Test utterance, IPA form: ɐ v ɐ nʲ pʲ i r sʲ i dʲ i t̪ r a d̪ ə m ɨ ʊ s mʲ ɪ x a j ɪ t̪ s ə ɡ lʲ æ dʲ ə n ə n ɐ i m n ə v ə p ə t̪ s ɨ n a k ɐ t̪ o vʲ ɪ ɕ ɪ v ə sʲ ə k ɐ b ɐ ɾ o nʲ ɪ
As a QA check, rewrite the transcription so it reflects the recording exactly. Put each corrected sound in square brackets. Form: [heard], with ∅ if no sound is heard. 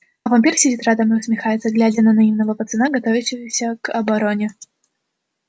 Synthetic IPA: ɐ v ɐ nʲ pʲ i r sʲ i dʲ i t̪ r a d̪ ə m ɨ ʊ s mʲ ɪ x a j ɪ t̪ s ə ɡ lʲ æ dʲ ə n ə n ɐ i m n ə v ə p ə t̪ s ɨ n a [ɡ] ɐ t̪ o vʲ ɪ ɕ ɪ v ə sʲ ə k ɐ b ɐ ɾ o nʲ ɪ